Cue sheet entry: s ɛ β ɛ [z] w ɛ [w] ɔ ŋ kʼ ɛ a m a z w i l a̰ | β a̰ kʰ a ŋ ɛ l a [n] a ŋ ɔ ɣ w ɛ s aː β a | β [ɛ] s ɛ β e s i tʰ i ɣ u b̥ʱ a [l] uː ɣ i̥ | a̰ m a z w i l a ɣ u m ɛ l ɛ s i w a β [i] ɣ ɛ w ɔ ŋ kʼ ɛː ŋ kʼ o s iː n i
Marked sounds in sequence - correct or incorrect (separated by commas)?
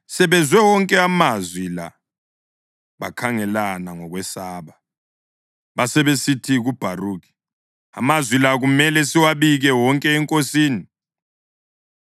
correct, correct, correct, incorrect, incorrect, correct